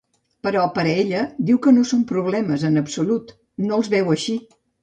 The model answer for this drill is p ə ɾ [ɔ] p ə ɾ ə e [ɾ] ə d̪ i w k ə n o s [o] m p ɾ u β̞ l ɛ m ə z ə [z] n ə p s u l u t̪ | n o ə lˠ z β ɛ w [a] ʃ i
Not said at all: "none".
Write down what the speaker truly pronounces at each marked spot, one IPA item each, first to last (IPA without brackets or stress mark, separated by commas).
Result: ɔ, ʎ, o, none, ə